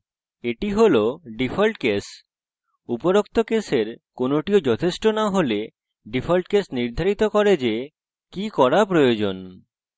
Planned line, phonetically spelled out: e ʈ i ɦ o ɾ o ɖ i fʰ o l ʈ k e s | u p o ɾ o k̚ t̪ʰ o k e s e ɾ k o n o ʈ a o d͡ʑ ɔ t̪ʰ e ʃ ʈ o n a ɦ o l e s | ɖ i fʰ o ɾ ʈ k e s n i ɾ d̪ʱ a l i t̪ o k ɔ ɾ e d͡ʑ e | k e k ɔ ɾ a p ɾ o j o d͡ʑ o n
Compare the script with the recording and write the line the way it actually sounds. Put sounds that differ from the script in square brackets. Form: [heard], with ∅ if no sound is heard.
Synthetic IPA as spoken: e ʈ i ɦ o [l] o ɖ i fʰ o l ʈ k e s | u p o ɾ o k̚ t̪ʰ o k e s e ɾ k o n o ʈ [i] o d͡ʑ ɔ t̪ʰ e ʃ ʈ o n a ɦ o l e [∅] | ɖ i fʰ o [l] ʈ k e s n i ɾ d̪ʱ a [ɾ] i t̪ o k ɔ ɾ e d͡ʑ e | k [i] k ɔ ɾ a p ɾ o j o d͡ʑ o n